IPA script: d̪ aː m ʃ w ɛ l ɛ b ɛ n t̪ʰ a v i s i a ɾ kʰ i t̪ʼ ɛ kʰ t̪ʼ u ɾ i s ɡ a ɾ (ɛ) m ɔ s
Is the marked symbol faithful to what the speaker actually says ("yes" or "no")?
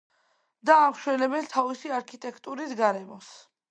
yes